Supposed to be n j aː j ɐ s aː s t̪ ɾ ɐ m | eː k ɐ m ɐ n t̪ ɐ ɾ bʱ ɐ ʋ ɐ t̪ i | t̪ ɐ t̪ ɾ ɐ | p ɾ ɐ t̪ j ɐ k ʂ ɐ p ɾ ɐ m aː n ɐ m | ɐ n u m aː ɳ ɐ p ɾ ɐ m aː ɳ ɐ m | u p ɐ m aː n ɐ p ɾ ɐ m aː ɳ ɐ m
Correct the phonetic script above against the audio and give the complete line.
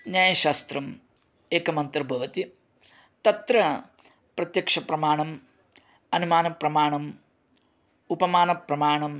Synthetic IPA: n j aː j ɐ ʃ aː s t̪ ɾ ɐ m | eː k ɐ m ɐ n t̪ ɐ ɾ bʱ ɐ ʋ ɐ t̪ i | t̪ ɐ t̪ ɾ ɐ | p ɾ ɐ t̪ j ɐ k ʂ ɐ p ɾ ɐ m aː ɳ ɐ m | ɐ n u m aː n ɐ p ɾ ɐ m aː ɳ ɐ m | u p ɐ m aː n ɐ p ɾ ɐ m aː ɳ ɐ m

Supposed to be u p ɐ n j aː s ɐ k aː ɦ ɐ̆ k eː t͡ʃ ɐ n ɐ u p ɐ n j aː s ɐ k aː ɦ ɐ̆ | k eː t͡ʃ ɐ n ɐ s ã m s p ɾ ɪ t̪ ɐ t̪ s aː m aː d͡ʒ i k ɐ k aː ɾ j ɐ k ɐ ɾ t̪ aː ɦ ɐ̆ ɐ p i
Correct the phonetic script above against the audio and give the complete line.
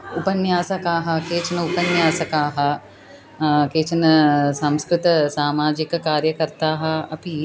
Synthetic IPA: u p ɐ n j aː s ɐ k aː ɦ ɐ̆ k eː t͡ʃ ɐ n ɐ u p ɐ n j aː s ɐ k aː ɦ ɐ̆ | k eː t͡ʃ ɐ n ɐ s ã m s k ɾ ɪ t̪ ɐ s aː m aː d͡ʒ i k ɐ k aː ɾ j ɐ k ɐ ɾ t̪ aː ɦ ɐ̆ ɐ p i

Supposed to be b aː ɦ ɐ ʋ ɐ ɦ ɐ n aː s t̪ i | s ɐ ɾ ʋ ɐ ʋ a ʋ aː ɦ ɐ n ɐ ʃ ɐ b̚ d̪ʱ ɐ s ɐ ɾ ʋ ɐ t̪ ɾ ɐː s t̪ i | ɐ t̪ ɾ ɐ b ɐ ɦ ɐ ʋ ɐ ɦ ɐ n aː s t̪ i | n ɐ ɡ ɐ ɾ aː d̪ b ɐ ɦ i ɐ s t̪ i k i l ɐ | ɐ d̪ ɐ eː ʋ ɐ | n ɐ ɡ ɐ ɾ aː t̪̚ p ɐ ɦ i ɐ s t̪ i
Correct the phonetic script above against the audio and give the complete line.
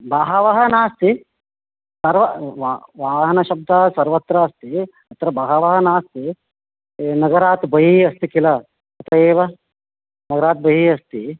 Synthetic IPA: b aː ɦ ɐ ʋ ɐ ɦ ɐ n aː s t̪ i | s ɐ ɾ ʋ ɐ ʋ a ʋ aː ɦ ɐ n ɐ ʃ ɐ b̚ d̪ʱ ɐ s ɐ ɾ ʋ ɐ t̪ ɾ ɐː s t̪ i | ɐ t̪ ɾ ɐ b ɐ ɦ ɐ ʋ ɐ ɦ ɐ n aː s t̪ i | n ɐ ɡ ɐ ɾ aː t̪ b ɐ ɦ i ɐ s t̪ i k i l ɐ | ɐ t̪ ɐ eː ʋ ɐ | n ɐ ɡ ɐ ɾ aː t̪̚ b ɐ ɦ i ɐ s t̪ i

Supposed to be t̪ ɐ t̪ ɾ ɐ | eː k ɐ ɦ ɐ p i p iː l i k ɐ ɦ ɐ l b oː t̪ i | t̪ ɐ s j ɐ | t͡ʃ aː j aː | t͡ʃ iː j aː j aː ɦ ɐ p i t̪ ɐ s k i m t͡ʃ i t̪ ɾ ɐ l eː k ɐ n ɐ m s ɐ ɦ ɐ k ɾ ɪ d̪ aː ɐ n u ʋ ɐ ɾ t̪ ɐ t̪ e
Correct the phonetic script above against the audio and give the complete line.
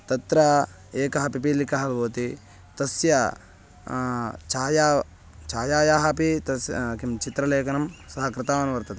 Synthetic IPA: t̪ ɐ t̪ ɾ ɐ | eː k ɐ ɦ ɐ p i p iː l i k ɐ ɦ ɐ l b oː t̪ i | t̪ ɐ s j ɐ | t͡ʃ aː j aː | t͡ʃ aː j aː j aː ɦ ɐ p i t̪ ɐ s k i m t͡ʃ i t̪ ɾ ɐ l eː k ɐ n ɐ m s ɐ ɦ ɐ k ɾ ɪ t̪ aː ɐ n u ʋ ɐ ɾ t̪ ɐ t̪ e

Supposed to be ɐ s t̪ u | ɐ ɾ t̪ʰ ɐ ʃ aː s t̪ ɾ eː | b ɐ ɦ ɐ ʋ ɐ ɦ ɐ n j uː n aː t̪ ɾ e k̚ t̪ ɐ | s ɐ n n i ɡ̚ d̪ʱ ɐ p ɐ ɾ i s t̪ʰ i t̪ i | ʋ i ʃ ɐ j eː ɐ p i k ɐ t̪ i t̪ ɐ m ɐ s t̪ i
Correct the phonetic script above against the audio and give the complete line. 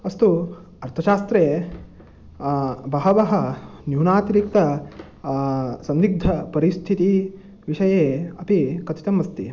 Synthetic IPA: ɐ s t̪ u | ɐ ɾ t̪ʰ ɐ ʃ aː s t̪ ɾ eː | b ɐ ɦ ɐ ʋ ɐ ɦ ɐ n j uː n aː t̪ ɾ i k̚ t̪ ɐ | s ɐ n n i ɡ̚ d̪ʱ ɐ p ɐ ɾ i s t̪ʰ i t̪ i | ʋ i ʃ ɐ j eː ɐ p i k ɐ t̪ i t̪ ɐ m ɐ s t̪ i

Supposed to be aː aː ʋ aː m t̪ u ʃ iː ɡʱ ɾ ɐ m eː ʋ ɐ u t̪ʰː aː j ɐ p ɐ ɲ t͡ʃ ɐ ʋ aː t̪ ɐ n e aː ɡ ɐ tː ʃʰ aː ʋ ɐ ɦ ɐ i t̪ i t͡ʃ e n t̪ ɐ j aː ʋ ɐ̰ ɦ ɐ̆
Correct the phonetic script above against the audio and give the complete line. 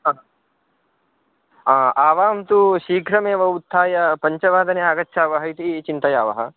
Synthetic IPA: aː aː ʋ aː m t̪ u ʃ iː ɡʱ ɾ ɐ m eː ʋ ɐ u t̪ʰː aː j ɐ p ɐ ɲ t͡ʃ ɐ ʋ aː d̪ ɐ n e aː ɡ ɐ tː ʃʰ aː ʋ ɐ ɦ ɐ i t̪ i t͡ʃ i n t̪ ɐ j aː ʋ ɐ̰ ɦ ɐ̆

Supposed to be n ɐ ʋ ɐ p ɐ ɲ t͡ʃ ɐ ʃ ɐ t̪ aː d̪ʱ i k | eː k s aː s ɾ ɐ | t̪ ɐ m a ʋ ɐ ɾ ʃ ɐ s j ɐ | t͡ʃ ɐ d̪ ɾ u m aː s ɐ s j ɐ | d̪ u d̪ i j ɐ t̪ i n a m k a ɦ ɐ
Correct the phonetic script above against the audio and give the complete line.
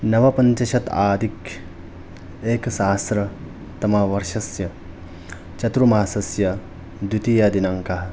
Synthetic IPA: n ɐ ʋ ɐ p ɐ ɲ t͡ʃ ɐ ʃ ɐ t̪ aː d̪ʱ i k | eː k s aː s ɾ ɐ | t̪ ɐ m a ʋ ɐ ɾ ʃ ɐ s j ɐ | t͡ʃ ɐ t̪ ɾ u m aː s ɐ s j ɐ | d̪ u t̪ i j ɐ d̪ i n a ŋ k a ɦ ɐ

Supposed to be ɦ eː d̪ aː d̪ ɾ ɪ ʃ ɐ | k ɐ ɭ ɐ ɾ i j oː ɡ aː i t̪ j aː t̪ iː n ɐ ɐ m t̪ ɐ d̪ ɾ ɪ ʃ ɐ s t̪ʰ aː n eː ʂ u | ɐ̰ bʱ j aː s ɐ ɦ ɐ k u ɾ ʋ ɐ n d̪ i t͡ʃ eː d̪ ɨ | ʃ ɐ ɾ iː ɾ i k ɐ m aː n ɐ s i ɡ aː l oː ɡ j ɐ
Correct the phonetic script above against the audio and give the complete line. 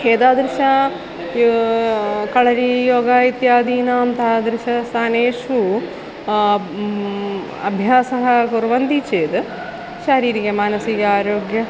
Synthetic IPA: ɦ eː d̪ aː d̪ ɾ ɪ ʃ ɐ | k ɐ ɭ ɐ ɾ i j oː ɡ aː i t̪ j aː d̪ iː n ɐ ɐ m t̪ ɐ d̪ ɾ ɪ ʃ ɐ s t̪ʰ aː n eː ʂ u | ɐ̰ bʱ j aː s ɐ ɦ ɐ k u ɾ ʋ ɐ n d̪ i t͡ʃ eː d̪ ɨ | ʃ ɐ ɾ iː ɾ i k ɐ m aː n ɐ s i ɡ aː ɾ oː ɡ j ɐ

